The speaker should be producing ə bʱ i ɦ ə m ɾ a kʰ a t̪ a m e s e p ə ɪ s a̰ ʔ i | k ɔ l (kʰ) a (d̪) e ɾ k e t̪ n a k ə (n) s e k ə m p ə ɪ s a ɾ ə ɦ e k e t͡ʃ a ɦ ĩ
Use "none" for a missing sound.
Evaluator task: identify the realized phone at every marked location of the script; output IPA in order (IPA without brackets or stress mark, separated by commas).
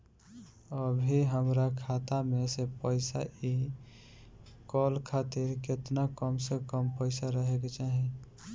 kʰ, t̪, m